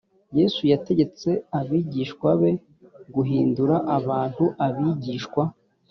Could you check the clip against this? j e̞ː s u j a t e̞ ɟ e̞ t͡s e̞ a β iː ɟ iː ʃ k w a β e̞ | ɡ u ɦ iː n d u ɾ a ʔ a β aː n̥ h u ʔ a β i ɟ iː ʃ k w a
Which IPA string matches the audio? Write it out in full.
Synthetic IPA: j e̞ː s u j a t e̞ ɟ e̞ t͡s e̞ a β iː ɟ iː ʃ k w a β e̞ | ɡ u ɦ iː n d u ɾ a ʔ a β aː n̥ h u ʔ a β i ɟ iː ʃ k w a

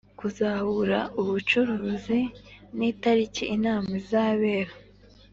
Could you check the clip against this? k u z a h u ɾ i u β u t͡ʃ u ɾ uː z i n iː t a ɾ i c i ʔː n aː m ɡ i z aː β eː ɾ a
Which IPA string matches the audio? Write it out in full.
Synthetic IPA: k u z a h u ɾ a u β u t͡ʃ u ɾ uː z i n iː t a ɾ i c i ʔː n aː m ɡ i z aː β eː ɾ a

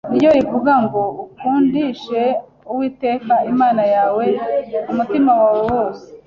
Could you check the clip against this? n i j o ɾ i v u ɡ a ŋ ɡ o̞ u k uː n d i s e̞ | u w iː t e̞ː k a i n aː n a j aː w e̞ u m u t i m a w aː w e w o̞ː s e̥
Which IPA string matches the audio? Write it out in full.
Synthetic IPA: n i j o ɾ i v u ɡ a ŋ ɡ o̞ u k uː n d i ʃ e̞ | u w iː t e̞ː k a i m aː n a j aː w e̞ u m u t i m a w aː w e w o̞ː s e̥

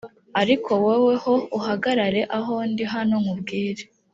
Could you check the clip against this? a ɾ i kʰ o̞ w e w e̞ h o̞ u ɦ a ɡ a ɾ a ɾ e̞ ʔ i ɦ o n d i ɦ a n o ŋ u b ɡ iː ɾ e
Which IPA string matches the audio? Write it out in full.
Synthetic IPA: a ɾ i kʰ o̞ w e w e̞ h o̞ u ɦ a ɡ a ɾ a ɾ e̞ ʔ a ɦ o n d i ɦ a n o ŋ u b ɡ iː ɾ e

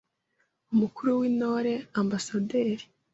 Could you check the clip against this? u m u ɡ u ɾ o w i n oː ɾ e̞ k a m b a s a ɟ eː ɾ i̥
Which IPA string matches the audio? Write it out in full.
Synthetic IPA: u m u k u ɾ u w i n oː ɾ e̞ a m b a s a d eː ɾ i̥

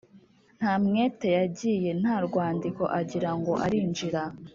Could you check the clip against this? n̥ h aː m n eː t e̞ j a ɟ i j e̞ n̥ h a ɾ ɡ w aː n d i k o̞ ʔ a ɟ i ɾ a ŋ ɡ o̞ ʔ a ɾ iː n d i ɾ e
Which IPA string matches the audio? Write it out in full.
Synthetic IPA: n̥ h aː m ŋ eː t e̞ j a ɟ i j e̞ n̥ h a ɾ ɡ w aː n d i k o̞ ʔ a ɟ i ɾ a ŋ ɡ o̞ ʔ a ɾ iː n d͡ʒ i ɾ a

